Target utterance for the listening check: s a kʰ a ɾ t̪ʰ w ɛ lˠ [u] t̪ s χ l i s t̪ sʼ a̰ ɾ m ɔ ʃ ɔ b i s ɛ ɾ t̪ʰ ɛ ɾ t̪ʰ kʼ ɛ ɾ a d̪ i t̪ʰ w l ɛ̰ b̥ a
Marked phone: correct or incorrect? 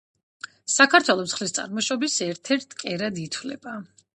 incorrect: ɔ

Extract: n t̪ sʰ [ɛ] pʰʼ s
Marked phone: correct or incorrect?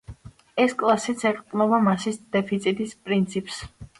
incorrect: i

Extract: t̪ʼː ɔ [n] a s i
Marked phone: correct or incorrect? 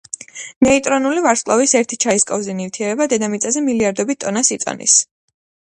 correct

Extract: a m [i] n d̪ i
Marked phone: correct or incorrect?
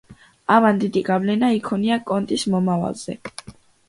incorrect: a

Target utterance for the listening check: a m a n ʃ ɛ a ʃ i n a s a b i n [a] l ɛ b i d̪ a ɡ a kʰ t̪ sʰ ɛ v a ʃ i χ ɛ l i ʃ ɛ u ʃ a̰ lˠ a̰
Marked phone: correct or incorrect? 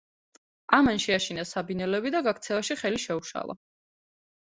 incorrect: ɛ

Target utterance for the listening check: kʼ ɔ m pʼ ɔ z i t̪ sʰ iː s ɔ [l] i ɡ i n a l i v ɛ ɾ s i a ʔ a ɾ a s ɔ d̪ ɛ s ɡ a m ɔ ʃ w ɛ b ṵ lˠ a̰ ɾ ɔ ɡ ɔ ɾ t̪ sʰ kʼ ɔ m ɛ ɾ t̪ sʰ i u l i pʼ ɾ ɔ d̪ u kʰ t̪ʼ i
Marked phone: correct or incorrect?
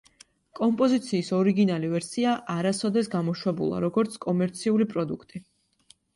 incorrect: ɾ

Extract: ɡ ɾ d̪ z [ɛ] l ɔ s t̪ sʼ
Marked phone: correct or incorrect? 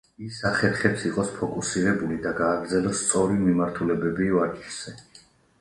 correct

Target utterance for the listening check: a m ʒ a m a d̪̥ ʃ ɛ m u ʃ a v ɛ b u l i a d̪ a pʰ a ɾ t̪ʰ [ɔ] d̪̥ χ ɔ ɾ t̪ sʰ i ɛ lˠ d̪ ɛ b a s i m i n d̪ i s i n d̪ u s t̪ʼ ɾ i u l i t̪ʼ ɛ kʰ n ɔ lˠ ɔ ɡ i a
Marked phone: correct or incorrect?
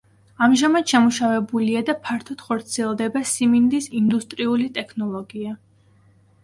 correct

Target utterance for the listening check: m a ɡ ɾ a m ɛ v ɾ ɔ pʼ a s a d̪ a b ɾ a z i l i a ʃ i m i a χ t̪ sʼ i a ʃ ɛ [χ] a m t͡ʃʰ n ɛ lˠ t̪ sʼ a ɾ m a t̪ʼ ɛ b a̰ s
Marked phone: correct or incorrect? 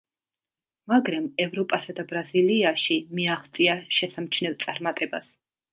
incorrect: s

